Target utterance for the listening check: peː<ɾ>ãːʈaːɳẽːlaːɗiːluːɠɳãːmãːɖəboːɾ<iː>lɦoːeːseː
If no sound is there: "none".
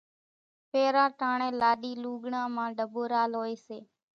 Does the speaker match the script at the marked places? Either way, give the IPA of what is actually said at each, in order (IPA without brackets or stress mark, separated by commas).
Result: ɾ, aː